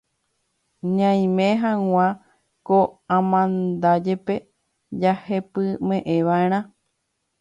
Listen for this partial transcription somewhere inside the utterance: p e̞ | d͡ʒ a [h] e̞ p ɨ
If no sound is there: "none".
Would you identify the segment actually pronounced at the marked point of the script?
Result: h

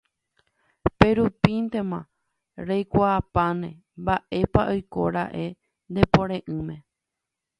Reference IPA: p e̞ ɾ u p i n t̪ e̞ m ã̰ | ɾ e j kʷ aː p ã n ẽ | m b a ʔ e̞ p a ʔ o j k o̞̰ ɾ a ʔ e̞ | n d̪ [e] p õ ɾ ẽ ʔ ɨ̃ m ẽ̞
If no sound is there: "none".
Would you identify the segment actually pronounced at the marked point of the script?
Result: e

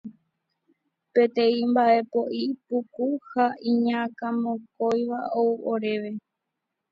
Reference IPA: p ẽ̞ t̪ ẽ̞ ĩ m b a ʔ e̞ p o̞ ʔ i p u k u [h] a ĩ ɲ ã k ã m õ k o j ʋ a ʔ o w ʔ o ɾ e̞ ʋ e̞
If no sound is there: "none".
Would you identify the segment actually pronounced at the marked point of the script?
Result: h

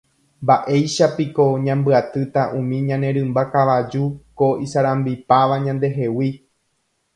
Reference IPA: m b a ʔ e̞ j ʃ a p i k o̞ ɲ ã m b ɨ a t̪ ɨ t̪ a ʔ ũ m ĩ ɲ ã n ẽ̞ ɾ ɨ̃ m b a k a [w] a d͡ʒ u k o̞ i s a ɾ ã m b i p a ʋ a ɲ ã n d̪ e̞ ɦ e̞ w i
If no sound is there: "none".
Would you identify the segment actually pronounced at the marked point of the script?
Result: ʋ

